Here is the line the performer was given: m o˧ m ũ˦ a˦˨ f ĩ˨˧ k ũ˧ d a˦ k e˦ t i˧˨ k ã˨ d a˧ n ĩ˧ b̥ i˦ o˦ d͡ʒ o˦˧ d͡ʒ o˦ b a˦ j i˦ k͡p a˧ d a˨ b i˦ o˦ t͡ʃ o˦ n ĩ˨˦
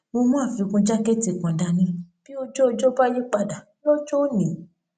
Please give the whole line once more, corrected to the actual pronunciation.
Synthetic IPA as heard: m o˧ m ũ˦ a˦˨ f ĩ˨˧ k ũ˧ d͡ʒ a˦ k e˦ t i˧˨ k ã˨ d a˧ n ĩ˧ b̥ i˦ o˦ d͡ʒ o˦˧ d͡ʒ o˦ b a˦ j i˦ k͡p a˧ d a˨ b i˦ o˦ t͡ʃ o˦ n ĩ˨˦